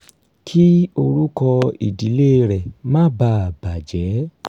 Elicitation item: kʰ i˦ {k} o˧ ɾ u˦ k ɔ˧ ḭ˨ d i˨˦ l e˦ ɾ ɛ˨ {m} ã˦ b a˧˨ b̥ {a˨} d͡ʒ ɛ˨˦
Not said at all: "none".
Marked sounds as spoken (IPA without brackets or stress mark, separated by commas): none, m, a˨